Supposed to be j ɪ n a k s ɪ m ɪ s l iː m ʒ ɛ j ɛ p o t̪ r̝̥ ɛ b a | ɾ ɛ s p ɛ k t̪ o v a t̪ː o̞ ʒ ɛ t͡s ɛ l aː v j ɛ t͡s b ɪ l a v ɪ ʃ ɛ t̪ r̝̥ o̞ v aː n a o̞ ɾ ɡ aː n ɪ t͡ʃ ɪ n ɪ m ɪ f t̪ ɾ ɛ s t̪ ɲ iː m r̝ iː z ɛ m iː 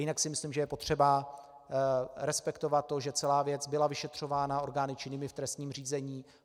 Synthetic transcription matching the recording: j ɪ n a k s ɪ m ɪ s l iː m ʒ ɛ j ɛ p o t̪ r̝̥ ɛ b a | ɾ ɛ s p ɛ k t̪ o v a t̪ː o̞ ʒ ɛ t͡s ɛ l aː v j ɛ t͡s b ɪ l a v ɪ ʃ ɛ t̪ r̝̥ o̞ v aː n a o̞ ɾ ɡ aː n ɪ t͡ʃ ɪ n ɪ m ɪ f t̪ ɾ ɛ s t̪ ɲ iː m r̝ iː z ɛ ɲ iː